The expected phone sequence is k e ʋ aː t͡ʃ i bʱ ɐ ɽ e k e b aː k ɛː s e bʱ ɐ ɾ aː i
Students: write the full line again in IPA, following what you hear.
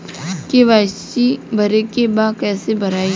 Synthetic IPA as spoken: k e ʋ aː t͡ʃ i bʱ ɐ ɾ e k e b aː k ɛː s e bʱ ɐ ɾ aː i